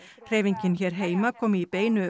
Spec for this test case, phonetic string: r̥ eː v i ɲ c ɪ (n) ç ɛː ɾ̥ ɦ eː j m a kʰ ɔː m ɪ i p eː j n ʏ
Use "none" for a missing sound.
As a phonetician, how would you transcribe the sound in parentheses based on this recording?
n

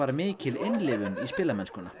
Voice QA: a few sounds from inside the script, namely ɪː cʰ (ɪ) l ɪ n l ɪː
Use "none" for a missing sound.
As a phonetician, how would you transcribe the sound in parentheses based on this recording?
ɪ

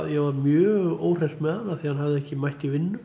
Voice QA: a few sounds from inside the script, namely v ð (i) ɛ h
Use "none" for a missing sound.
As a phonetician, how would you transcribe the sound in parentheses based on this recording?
ɪ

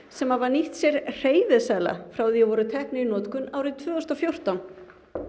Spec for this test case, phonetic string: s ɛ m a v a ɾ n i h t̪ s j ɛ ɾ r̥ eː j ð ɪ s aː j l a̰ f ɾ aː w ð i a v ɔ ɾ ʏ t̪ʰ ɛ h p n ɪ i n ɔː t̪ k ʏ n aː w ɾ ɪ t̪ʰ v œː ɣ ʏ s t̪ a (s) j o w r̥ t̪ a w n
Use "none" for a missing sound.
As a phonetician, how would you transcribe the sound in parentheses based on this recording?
f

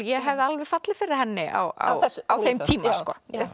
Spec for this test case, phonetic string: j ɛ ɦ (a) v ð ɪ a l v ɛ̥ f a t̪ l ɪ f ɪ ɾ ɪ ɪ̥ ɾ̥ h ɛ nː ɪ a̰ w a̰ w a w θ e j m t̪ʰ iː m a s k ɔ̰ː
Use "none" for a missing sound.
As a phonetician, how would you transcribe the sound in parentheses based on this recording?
ɛ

